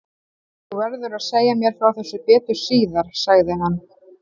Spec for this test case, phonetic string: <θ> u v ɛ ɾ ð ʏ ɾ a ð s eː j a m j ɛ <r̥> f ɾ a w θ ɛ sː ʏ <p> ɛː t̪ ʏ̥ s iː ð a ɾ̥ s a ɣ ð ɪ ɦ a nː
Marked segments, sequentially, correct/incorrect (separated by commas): correct, incorrect, correct